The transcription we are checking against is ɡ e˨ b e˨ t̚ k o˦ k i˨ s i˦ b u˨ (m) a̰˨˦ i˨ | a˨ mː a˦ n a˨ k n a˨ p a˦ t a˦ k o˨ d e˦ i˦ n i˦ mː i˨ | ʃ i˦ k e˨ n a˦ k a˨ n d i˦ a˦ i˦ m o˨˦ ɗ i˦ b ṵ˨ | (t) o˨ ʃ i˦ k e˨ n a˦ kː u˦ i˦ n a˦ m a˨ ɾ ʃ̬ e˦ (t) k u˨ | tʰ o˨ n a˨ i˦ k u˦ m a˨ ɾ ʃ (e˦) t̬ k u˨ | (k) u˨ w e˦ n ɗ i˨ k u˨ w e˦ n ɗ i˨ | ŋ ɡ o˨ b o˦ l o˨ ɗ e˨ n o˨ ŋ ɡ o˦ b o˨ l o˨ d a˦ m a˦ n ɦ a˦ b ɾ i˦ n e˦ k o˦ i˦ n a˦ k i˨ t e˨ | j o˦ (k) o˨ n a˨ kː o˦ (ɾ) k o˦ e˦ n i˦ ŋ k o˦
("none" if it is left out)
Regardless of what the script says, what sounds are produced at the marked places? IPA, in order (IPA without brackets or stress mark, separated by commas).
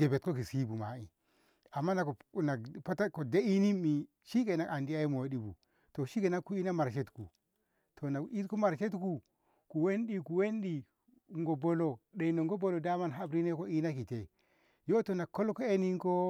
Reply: m, t, t, e˦, k, t, l